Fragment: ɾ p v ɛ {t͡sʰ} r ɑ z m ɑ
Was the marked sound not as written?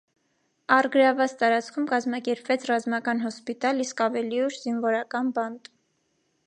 no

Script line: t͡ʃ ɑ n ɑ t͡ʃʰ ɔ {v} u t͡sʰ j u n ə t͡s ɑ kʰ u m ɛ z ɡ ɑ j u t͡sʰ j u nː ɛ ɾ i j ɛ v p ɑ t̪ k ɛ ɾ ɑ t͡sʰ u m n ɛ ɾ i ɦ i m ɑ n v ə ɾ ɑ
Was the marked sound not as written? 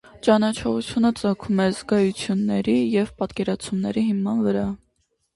yes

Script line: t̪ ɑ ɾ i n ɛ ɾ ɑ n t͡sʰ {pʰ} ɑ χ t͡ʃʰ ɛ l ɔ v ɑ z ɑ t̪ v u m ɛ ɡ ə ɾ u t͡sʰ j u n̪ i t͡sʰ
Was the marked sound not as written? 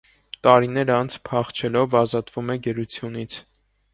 no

